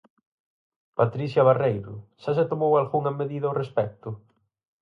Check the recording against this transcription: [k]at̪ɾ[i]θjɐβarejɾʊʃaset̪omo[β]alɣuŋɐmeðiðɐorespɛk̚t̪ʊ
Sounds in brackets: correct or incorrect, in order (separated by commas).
incorrect, correct, incorrect